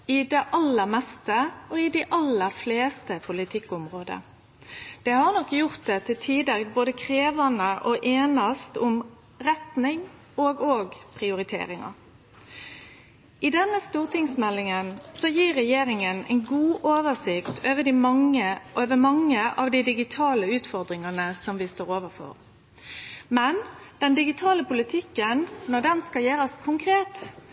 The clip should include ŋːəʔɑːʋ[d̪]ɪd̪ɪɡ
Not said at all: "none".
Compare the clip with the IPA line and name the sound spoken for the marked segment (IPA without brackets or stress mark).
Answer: d̪